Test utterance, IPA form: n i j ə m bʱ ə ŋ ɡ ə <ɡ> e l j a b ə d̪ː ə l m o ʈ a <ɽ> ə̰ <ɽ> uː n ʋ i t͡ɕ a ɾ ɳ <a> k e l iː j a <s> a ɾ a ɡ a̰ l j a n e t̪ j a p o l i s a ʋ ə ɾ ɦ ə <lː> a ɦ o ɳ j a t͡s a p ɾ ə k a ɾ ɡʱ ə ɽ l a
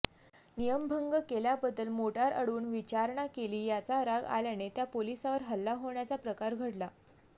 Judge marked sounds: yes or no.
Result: no, no, yes, yes, no, yes

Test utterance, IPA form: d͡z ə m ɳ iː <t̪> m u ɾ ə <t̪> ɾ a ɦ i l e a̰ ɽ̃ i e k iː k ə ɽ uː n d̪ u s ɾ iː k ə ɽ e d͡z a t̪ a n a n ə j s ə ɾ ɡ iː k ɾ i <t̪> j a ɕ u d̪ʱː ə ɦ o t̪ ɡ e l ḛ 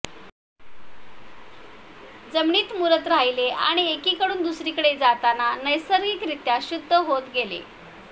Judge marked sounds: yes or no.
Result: yes, yes, yes

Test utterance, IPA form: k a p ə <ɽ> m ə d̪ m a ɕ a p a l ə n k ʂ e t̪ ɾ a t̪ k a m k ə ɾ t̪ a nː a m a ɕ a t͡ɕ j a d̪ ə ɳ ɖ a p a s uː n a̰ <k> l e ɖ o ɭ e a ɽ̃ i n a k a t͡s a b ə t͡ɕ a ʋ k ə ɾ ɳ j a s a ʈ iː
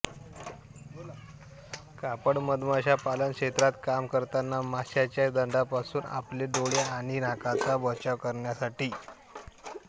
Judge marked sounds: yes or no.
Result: yes, no

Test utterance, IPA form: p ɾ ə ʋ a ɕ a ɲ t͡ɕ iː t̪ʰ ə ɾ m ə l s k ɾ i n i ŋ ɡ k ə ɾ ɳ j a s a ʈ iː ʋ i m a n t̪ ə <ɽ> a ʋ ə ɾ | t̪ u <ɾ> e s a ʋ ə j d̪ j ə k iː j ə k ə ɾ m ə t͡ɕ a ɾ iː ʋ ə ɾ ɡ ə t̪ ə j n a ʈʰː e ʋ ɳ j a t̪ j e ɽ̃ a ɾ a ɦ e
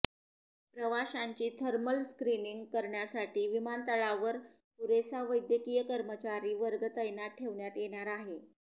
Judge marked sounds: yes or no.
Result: no, yes

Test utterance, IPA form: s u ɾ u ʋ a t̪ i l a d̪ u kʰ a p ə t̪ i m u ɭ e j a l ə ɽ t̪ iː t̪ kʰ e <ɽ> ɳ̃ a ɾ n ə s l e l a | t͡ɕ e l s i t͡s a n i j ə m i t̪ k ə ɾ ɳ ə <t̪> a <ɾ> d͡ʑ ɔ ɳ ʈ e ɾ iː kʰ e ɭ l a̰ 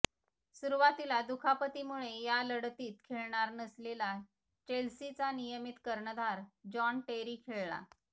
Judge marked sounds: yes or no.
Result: no, no, yes

